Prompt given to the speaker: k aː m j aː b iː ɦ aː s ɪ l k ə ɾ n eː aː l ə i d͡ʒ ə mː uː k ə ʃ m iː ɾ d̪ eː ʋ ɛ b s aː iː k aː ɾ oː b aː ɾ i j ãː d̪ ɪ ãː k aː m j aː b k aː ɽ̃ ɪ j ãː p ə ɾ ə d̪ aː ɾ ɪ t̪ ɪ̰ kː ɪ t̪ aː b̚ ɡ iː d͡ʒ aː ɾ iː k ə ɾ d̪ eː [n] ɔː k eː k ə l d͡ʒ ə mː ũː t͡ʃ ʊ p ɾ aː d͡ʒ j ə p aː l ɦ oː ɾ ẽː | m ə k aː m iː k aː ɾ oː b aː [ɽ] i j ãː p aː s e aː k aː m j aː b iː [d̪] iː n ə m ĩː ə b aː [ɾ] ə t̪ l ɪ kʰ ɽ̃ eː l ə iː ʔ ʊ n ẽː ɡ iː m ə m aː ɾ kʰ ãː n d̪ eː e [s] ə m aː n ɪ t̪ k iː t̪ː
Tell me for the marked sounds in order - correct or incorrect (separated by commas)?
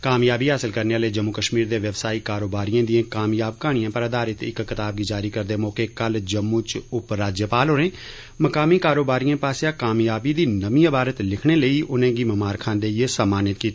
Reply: incorrect, incorrect, correct, correct, correct